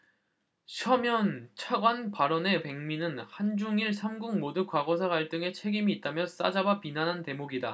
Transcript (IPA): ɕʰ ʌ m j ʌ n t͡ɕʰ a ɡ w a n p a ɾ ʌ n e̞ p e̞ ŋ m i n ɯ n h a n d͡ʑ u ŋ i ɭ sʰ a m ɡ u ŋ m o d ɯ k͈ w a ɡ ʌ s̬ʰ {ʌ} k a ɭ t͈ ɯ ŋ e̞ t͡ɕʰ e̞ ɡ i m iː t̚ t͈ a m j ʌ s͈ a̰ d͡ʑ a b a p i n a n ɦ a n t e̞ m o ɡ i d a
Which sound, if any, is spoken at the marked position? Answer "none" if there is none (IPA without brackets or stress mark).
a